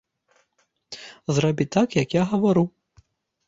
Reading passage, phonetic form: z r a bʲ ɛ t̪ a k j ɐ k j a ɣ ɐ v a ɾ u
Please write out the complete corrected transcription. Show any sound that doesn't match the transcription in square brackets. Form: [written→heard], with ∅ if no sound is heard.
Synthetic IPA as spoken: z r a bʲ [ɛ→i] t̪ a k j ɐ k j a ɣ ɐ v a ɾ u